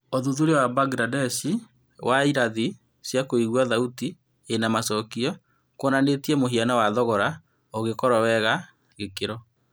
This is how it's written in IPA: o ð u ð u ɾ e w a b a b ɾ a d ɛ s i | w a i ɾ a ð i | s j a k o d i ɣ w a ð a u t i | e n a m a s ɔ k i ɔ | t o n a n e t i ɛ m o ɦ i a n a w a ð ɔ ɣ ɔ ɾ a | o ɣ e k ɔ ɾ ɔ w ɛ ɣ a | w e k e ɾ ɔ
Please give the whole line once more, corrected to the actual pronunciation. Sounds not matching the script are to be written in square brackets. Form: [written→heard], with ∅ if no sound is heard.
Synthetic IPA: o ð u ð u ɾ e w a b a [b→ɡ] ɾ a d ɛ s i | w a i ɾ a ð i | s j a k o [d→∅] i ɣ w a ð a u t i | e n a m a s ɔ k i ɔ | [t→k] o n a n e t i ɛ m o ɦ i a n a w a ð ɔ ɣ ɔ ɾ a | o ɣ e k ɔ ɾ ɔ w ɛ ɣ a | [w→ɣ] e k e ɾ ɔ

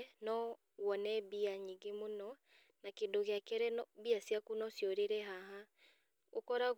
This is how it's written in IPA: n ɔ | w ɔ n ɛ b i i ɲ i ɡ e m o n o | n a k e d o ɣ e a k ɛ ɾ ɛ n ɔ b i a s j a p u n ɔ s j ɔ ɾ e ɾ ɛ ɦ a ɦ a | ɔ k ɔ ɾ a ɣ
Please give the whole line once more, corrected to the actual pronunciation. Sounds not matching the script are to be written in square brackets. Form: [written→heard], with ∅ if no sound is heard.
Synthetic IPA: n ɔ | w ɔ n ɛ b i [i→a] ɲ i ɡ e m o n [o→ɔ] | n a k e d o ɣ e a k ɛ ɾ ɛ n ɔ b i a s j a [p→k] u n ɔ s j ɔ ɾ e ɾ ɛ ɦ a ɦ a | [ɔ→o] k ɔ ɾ a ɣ

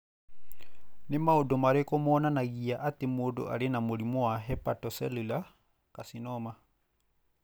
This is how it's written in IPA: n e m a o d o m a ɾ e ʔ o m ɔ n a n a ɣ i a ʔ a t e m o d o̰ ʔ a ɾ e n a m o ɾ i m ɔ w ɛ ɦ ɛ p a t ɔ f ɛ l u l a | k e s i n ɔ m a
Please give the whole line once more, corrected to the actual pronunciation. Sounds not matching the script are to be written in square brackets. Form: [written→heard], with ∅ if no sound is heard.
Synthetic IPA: n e m a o d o m a ɾ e [ʔ→k] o m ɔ n a n a ɣ i a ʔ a t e m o d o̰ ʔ a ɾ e n a m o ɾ i m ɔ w [ɛ→a] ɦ ɛ p a t ɔ [f→s] ɛ l u l a | k [e→a] s i n ɔ m a

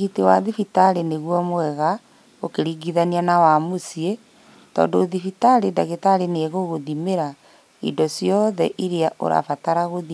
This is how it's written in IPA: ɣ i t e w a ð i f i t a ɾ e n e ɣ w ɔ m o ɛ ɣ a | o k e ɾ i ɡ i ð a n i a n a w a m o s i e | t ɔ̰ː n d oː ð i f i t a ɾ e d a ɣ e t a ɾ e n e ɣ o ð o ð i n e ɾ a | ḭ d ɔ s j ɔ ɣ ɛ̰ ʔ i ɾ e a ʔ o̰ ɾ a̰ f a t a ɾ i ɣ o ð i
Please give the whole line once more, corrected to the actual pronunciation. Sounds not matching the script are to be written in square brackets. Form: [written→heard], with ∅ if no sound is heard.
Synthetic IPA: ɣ i t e w a ð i f i t a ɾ e n e ɣ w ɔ m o ɛ ɣ a | o k e ɾ i ɡ i ð a n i a n a w a m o s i e | t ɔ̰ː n d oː ð i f i t a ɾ e d a ɣ e t a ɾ e n e ɣ o [ð→ɣ] o ð i [n→m] e ɾ a | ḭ d ɔ s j ɔ [ɣ→ð] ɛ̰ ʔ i ɾ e a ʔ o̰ ɾ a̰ f a t a ɾ [i→a] ɣ o ð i

